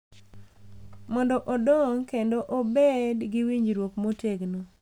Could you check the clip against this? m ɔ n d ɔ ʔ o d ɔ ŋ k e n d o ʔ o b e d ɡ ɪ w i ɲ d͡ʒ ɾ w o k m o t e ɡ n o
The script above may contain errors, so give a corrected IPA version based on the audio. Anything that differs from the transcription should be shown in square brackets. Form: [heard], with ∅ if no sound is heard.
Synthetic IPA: m ɔ n d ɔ ʔ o d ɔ ŋ k e n d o ʔ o b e d ɡ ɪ w i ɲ d͡ʒ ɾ w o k m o t e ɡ n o